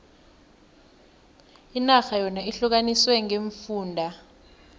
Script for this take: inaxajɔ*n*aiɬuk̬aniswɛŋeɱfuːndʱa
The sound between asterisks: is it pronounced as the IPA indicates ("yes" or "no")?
yes